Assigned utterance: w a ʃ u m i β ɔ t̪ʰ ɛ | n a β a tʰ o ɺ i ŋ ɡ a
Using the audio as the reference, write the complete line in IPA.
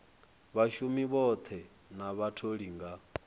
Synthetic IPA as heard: β a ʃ u m i β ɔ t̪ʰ ɛ | n a β a tʰ o ɺ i ŋ ɡ a